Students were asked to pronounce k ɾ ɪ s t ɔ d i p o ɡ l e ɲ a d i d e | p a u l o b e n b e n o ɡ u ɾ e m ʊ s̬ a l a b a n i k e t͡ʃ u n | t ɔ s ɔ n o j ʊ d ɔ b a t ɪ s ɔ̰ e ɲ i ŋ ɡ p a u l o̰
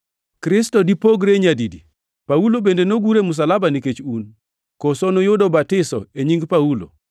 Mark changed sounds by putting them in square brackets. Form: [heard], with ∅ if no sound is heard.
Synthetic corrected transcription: k ɾ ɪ s t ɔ d i p o ɡ [ɾ] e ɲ a d i d [i] | p a u l o b e n [d] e n o ɡ u ɾ e m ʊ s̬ a l a b a n i k e t͡ʃ u n | [k] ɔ s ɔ n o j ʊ d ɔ b a t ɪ s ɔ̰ e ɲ i ŋ ɡ p a u l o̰